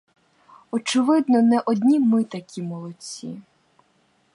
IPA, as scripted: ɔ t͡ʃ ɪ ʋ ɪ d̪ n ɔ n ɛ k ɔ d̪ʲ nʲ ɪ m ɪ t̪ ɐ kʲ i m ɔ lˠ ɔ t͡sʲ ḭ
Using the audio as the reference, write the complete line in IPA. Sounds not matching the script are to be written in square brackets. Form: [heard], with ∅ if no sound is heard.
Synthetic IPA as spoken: ɔ t͡ʃ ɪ ʋ ɪ d̪ n ɔ n ɛ [ʔ] ɔ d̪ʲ nʲ [i] m ɪ t̪ ɐ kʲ i m ɔ lˠ ɔ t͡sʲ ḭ

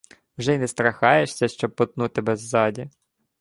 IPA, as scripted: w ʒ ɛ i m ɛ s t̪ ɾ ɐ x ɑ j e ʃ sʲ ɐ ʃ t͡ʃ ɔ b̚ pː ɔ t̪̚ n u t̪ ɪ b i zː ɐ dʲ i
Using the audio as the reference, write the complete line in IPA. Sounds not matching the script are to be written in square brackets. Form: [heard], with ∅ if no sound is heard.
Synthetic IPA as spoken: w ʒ ɛ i [n] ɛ s t̪ ɾ ɐ x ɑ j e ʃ sʲ ɐ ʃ t͡ʃ ɔ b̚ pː ɔ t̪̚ n u t̪ ɪ b [ɛ] zː [ɑ] dʲ i

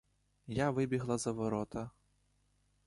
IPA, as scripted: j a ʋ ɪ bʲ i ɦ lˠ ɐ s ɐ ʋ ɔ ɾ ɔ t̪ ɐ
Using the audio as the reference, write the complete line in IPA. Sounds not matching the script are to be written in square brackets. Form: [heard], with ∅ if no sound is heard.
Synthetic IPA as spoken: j a ʋ ɪ bʲ i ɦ lˠ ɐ [z] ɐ ʋ ɔ ɾ ɔ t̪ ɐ

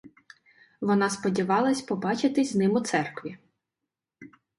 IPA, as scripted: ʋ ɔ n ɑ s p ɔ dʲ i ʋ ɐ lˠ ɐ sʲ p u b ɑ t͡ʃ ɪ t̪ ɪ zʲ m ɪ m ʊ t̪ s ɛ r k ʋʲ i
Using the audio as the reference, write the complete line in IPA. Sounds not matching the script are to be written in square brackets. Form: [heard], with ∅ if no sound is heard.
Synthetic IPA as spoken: ʋ ɔ n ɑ s p ɔ dʲ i ʋ [ɑ] lˠ ɐ sʲ p [ɔ] b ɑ t͡ʃ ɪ t̪ ɪ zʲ [n] ɪ m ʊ t̪ s ɛ r k ʋʲ i

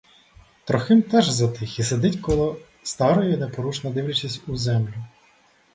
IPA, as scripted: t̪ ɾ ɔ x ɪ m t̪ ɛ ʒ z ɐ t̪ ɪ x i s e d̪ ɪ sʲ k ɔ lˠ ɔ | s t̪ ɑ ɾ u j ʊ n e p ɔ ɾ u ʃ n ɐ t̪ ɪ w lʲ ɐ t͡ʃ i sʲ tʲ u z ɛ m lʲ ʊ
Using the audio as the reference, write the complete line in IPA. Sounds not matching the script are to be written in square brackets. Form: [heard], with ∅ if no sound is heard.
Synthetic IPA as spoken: t̪ ɾ ɔ x ɪ m t̪ ɛ ʒ z ɐ t̪ ɪ x i s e d̪ ɪ [tʲ] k ɔ lˠ ɔ | s t̪ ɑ ɾ [ɔ] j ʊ n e p ɔ ɾ u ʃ n ɐ [d̪] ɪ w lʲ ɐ t͡ʃ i sʲ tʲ u z ɛ m lʲ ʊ

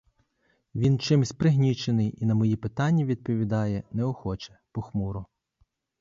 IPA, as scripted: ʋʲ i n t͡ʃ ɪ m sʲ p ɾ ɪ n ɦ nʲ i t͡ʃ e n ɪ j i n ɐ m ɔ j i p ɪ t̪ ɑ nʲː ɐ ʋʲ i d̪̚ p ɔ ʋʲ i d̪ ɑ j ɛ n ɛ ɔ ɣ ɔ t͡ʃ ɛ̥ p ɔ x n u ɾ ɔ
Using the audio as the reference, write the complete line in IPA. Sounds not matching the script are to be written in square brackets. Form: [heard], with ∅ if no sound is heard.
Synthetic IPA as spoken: ʋʲ i n t͡ʃ ɪ m sʲ p ɾ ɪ [∅] ɦ nʲ i t͡ʃ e n ɪ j i n ɐ m ɔ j i p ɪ t̪ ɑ nʲː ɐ ʋʲ i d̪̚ p ɔ ʋʲ i d̪ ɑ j ɛ n ɛ ɔ [x] ɔ t͡ʃ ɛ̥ p ɔ x [m] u ɾ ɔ

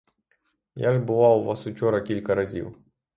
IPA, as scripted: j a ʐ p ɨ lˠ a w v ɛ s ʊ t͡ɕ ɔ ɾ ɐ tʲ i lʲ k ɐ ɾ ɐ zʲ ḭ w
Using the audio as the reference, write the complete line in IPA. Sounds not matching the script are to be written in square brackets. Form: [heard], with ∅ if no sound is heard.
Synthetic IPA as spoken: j a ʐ [b] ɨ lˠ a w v [a] s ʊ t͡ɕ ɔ ɾ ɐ [kʲ] i lʲ k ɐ ɾ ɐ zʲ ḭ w

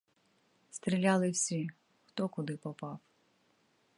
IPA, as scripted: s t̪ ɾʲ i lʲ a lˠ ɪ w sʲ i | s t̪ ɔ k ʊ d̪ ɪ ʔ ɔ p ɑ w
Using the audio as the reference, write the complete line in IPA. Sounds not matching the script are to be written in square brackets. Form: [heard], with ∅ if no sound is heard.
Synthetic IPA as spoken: s t̪ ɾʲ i lʲ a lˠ ɪ w sʲ i | [x] t̪ ɔ k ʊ d̪ ɪ [p] ɔ p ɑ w

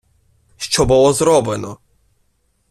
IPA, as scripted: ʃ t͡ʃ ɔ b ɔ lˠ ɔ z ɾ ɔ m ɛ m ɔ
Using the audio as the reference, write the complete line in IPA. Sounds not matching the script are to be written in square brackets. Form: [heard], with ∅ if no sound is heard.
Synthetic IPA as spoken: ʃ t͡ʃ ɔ b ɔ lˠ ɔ z ɾ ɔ [b] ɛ [n] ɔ

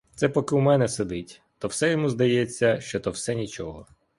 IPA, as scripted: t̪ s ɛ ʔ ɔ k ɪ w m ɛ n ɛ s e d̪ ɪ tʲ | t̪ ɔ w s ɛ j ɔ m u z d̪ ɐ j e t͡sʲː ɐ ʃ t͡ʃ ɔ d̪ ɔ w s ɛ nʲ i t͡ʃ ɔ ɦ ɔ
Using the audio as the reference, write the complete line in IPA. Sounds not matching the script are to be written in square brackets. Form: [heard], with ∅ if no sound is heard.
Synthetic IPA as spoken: t̪ s ɛ [p] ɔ k ɪ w m ɛ n ɛ s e d̪ ɪ tʲ | t̪ ɔ w s ɛ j ɔ m u z d̪ ɐ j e t͡sʲː ɐ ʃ t͡ʃ ɔ [t̪] ɔ w s ɛ nʲ i t͡ʃ ɔ ɦ ɔ

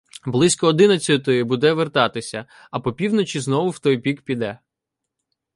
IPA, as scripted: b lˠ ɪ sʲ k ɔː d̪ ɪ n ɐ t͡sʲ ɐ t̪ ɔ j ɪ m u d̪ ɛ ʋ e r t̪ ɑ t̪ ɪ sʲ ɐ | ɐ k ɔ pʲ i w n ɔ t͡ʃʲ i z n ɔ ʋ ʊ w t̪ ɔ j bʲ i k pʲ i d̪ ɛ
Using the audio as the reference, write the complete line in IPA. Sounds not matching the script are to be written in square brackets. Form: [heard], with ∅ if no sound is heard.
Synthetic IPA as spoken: b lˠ ɪ sʲ k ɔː d̪ ɪ n ɐ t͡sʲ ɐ t̪ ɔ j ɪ [b] u d̪ ɛ ʋ e r t̪ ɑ t̪ ɪ sʲ ɐ | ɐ [p] ɔ pʲ i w n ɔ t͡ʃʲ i z n ɔ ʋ ʊ w t̪ ɔ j [pʲ] i k pʲ i d̪ ɛ

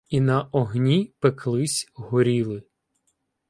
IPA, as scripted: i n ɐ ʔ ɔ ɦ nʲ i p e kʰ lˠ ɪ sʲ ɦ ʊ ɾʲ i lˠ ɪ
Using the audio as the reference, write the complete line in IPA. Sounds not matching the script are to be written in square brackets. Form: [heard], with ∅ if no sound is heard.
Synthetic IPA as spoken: i n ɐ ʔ ɔ ɦ nʲ i p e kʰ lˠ ɪ sʲ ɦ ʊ ɾʲ i lˠ ɪ

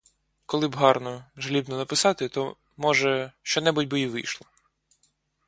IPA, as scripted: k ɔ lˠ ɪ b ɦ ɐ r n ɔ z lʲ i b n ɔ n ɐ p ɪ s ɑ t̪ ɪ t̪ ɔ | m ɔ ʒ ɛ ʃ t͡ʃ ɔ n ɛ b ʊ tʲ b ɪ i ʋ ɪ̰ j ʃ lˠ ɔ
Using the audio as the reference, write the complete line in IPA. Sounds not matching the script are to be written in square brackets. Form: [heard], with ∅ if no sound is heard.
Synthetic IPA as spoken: k ɔ lˠ ɪ b ɦ [ɑ] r n ɔ [ʒ] lʲ i b n ɔ n ɐ p ɪ s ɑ t̪ ɪ t̪ ɔ | m ɔ ʒ ɛ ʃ t͡ʃ ɔ n ɛ b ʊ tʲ b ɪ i ʋ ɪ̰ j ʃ lˠ ɔ

